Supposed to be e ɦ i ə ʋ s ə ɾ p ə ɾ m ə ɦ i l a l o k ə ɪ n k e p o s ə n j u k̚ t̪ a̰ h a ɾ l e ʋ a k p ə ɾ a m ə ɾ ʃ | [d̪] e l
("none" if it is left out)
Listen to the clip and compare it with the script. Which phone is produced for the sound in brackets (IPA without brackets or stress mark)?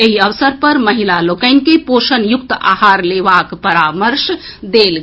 d̪